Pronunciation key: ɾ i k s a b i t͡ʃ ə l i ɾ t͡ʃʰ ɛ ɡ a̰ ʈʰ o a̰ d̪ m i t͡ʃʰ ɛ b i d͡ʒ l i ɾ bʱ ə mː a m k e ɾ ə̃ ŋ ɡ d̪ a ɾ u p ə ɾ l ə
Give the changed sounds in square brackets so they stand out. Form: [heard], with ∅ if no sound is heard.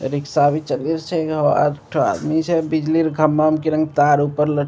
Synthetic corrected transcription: ɾ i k s a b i t͡ʃ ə l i ɾ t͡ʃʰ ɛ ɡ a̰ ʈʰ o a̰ d̪ m i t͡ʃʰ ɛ b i d͡ʒ l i ɾ [ɡʱ] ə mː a m k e ɾ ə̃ ŋ ɡ [t̪] a ɾ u p ə ɾ l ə